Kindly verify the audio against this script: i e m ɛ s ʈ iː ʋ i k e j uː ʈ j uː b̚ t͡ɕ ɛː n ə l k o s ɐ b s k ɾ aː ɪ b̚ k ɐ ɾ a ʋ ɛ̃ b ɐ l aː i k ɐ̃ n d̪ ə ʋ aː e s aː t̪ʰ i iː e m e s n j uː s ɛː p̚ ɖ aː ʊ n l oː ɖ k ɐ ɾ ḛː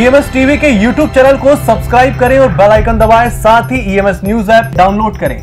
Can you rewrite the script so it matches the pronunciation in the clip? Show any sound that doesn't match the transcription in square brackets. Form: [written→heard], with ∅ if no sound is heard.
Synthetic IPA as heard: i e m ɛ s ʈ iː ʋ i k e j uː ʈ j uː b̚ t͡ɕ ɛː n ə l k o s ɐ b s k ɾ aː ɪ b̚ k ɐ ɾ [a→e] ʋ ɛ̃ b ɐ l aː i k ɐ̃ n d̪ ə ʋ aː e s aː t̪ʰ i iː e m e s n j uː [s→z] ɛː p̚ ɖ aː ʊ n l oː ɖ k ɐ ɾ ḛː